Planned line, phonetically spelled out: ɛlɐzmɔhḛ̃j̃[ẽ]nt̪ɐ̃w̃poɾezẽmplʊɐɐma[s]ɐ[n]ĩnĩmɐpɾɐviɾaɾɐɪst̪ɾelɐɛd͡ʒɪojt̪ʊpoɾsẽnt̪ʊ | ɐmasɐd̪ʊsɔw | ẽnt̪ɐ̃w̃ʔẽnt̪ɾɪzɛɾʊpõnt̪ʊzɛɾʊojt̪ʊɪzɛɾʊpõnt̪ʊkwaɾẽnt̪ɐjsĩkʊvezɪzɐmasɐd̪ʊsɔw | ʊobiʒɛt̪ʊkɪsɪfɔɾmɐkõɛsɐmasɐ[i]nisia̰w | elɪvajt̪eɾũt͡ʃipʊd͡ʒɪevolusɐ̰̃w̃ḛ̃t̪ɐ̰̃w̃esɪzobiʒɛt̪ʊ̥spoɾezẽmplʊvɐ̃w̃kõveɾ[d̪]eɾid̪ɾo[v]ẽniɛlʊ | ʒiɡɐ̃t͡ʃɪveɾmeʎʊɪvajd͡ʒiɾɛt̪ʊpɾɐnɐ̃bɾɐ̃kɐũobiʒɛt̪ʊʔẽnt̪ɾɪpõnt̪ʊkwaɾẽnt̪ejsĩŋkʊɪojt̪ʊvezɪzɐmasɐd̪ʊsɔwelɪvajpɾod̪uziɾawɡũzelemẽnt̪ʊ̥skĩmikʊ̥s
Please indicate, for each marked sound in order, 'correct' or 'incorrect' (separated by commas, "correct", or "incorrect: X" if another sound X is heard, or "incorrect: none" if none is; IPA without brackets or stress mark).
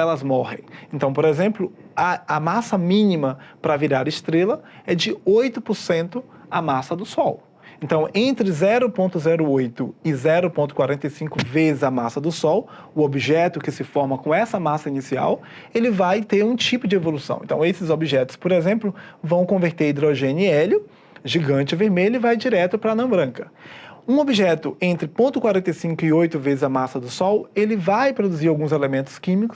correct, correct, incorrect: m, correct, incorrect: t̪, incorrect: ʒ